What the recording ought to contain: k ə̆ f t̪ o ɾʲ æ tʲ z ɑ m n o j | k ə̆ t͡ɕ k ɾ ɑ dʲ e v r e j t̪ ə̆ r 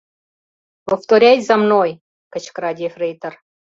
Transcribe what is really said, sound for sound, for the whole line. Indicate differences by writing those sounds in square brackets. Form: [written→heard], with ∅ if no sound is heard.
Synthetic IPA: [k→p] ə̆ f t̪ o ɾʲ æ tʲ z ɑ m n o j | k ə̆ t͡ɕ k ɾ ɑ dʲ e [v→f] r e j t̪ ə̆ r